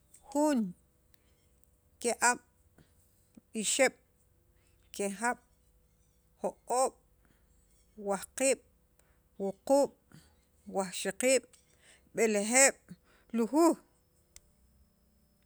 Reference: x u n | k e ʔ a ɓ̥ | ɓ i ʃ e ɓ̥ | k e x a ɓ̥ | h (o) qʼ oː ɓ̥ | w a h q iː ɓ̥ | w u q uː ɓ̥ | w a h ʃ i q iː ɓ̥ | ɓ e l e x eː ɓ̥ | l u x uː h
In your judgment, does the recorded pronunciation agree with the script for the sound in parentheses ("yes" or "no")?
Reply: yes